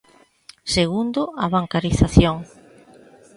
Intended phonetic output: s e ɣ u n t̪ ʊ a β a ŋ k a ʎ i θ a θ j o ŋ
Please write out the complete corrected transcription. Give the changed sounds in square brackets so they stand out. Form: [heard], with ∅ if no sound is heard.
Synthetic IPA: s e ɣ u n [d̪] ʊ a β a ŋ k a [ɾ] i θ a θ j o ŋ